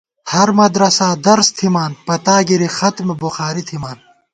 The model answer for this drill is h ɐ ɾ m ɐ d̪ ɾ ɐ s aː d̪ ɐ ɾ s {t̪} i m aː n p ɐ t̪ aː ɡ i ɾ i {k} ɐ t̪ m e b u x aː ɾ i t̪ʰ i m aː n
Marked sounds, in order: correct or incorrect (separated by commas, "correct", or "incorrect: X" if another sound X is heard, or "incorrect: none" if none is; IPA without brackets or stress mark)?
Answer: incorrect: t̪ʰ, incorrect: x